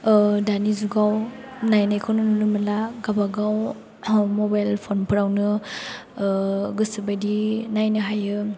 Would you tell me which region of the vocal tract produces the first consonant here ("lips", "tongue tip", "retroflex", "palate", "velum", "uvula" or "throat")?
tongue tip